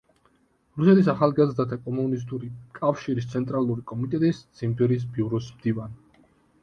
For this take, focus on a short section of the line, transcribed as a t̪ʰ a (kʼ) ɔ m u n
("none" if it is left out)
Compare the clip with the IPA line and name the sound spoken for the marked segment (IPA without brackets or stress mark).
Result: kʼ